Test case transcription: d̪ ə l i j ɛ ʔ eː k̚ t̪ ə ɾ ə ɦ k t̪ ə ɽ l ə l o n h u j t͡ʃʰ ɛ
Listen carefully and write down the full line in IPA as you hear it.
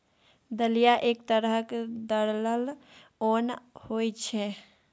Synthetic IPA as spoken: d̪ ə l i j a ʔ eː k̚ t̪ ə ɾ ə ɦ k d̪ ə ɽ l ə l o n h o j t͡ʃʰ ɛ